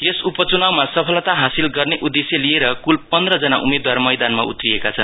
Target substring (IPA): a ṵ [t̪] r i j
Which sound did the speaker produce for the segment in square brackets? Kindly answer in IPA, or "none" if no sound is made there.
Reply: t̪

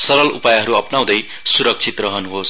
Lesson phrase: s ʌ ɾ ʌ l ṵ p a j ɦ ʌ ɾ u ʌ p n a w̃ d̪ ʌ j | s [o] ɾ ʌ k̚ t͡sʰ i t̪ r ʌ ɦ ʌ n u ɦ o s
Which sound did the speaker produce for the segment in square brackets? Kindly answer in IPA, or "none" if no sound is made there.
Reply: u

